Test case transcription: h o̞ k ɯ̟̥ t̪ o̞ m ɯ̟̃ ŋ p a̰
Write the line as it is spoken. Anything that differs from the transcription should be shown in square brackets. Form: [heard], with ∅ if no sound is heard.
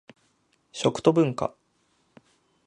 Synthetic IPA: [ɕ] o̞ k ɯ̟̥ t̪ o̞ [b] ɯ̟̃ ŋ [k] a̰